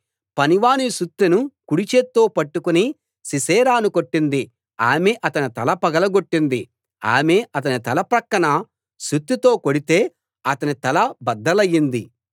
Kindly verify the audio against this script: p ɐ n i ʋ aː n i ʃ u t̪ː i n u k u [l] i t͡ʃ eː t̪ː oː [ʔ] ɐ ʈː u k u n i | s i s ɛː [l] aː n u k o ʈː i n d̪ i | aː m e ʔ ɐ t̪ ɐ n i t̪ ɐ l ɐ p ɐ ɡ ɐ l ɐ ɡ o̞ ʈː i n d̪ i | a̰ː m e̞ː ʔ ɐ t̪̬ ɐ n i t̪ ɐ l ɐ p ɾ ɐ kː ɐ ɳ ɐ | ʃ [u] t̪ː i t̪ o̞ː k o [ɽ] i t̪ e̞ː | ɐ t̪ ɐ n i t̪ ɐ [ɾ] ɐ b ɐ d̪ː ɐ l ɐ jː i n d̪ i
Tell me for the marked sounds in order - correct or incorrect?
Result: incorrect: ɽ, incorrect: p, incorrect: ɾ, correct, correct, incorrect: l

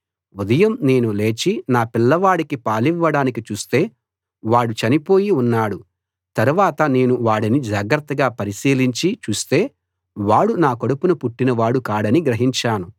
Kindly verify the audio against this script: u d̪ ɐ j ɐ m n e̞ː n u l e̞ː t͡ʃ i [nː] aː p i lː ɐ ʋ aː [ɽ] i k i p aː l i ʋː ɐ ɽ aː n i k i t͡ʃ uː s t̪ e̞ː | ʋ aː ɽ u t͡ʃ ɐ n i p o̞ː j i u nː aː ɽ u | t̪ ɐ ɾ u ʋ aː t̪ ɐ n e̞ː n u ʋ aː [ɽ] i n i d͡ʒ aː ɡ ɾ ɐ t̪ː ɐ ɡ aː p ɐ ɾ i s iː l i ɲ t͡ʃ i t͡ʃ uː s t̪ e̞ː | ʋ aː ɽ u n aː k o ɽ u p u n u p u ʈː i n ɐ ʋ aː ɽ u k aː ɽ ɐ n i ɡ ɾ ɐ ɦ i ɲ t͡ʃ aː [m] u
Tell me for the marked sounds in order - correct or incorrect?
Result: incorrect: n, correct, correct, incorrect: n

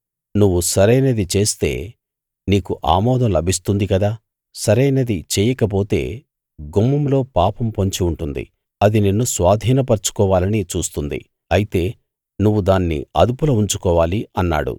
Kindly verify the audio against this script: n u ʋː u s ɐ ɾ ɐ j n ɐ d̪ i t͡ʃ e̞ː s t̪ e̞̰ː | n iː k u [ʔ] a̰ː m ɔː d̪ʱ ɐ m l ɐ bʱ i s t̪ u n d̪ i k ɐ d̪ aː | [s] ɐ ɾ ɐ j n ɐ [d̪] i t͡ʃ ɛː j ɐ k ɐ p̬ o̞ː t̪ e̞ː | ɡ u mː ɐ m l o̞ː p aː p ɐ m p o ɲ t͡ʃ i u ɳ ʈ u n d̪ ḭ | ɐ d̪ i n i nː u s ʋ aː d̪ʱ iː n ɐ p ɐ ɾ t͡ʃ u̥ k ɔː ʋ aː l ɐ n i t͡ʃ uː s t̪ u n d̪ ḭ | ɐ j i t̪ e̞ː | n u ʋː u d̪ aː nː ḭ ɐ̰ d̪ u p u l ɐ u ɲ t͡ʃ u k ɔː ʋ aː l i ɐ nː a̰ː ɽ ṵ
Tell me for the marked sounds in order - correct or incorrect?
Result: correct, correct, correct

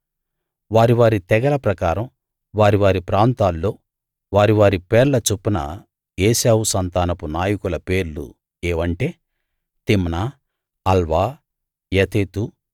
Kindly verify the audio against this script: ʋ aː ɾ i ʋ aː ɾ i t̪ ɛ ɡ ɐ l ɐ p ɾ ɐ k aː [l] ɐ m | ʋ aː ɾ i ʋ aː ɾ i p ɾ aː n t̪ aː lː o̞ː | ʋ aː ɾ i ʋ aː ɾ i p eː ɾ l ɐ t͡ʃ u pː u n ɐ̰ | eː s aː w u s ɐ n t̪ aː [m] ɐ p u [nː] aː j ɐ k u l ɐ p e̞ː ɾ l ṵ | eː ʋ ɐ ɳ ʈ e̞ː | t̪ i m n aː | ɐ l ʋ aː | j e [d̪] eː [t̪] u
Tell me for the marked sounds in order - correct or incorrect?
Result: incorrect: ɾ, incorrect: n, incorrect: n, incorrect: t̪, correct

